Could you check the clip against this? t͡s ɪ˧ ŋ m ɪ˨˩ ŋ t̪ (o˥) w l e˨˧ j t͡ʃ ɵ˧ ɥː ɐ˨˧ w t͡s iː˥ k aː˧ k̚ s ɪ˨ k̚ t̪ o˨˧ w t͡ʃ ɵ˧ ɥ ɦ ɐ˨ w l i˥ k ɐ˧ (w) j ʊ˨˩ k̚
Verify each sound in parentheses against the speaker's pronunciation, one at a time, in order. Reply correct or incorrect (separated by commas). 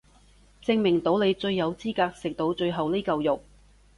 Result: incorrect, correct